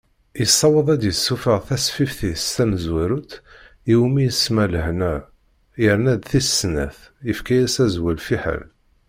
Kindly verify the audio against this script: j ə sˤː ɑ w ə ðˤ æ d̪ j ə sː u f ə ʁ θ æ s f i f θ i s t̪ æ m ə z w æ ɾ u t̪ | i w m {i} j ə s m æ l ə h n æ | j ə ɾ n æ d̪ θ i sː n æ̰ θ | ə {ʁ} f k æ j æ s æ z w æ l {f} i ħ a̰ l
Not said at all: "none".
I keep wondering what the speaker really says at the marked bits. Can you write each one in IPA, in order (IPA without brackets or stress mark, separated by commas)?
i, none, f